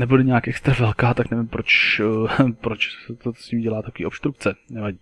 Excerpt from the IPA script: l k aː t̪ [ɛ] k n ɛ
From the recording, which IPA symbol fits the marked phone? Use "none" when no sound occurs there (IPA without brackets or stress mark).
a